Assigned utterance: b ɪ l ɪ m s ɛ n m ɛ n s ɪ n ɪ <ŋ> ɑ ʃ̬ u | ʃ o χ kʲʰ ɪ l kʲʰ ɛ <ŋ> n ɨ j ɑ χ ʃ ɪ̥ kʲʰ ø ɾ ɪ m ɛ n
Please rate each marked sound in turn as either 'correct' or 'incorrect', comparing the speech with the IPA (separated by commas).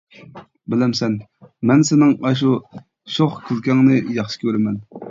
correct, correct